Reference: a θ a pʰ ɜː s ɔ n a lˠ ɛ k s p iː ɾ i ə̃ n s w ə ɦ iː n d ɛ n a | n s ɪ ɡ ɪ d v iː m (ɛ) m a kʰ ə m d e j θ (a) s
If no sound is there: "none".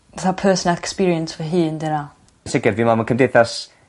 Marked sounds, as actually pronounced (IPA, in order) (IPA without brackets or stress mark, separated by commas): a, a